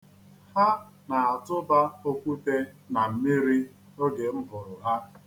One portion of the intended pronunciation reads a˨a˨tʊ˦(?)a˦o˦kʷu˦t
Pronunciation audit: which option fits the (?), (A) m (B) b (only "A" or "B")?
B